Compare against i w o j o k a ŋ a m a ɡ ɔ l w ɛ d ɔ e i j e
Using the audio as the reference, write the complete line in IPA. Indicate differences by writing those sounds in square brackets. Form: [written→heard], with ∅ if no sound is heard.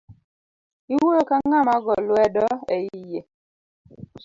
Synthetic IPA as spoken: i w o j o k a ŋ a m a ɡ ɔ l w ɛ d ɔ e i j e

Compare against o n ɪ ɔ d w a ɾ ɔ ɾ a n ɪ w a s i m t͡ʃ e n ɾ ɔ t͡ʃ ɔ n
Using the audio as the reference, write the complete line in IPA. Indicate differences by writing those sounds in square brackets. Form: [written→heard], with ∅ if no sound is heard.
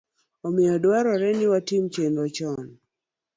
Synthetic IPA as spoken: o [n→m] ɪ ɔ d w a ɾ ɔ ɾ [a→ɛ] n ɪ w a [s→t] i m t͡ʃ e n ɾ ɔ t͡ʃ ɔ n

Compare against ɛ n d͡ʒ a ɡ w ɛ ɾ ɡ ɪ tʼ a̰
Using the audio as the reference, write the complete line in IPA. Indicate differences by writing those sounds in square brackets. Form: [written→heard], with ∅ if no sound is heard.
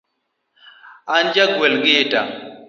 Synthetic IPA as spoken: [ɛ→a] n d͡ʒ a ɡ w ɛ [ɾ→l] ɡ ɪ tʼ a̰

